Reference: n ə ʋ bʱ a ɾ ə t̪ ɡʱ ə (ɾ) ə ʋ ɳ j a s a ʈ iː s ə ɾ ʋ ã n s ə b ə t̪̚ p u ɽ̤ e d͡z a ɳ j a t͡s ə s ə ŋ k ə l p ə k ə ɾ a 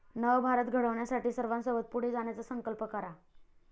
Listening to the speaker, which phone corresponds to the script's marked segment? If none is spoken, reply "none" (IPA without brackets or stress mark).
ɽ